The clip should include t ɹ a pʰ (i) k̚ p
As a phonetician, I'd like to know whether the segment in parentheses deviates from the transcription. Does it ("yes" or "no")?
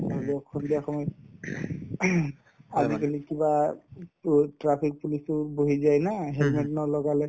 no